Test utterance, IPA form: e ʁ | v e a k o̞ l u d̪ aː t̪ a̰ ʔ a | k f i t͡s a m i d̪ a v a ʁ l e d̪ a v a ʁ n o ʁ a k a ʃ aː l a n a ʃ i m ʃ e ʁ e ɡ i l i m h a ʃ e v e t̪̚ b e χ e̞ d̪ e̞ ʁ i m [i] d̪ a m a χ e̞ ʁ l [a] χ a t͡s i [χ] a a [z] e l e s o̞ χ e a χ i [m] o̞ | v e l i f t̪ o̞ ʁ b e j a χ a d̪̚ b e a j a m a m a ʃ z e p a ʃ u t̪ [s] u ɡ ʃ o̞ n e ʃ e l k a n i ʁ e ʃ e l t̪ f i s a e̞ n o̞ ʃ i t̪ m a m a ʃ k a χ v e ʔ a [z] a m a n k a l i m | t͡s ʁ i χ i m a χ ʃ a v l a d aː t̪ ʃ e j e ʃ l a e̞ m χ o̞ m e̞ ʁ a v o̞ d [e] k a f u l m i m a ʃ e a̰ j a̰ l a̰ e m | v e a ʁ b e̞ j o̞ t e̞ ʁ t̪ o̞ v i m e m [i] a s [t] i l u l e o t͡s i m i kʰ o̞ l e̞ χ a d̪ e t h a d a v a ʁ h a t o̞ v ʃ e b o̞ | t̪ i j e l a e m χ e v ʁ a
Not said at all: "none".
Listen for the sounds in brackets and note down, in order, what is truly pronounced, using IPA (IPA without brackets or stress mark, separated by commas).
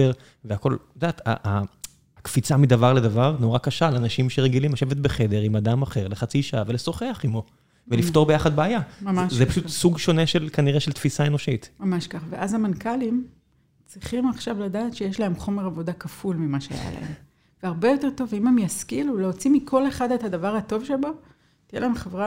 a, e, ʃ, v, m, s, z, a, j, k